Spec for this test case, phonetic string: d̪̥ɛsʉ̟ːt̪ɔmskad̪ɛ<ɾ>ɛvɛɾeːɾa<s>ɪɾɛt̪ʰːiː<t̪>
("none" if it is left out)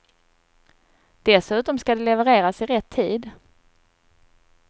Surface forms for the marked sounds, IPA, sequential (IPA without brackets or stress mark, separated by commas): l, s, d̪